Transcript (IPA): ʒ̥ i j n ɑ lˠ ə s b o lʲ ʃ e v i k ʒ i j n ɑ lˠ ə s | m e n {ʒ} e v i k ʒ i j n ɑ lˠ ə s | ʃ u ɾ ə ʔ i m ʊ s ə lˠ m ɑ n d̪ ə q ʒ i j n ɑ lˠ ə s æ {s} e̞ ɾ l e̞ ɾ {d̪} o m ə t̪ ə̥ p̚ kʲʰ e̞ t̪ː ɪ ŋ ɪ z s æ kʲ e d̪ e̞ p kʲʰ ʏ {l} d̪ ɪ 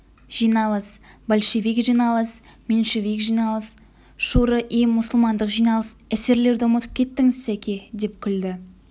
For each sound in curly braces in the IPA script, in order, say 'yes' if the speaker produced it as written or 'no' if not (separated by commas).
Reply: no, yes, yes, yes